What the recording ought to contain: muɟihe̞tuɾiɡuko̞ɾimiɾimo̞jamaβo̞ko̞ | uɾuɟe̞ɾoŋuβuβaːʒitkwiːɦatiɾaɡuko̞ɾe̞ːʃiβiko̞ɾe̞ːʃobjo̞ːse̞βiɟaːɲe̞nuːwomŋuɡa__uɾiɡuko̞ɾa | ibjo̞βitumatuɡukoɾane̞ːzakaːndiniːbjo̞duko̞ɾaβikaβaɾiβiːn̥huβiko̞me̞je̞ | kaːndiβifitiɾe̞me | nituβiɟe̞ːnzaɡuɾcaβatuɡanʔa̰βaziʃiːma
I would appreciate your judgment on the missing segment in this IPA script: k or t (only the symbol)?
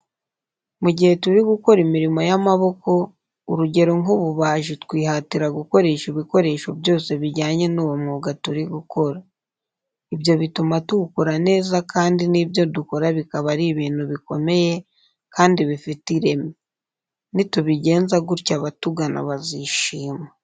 t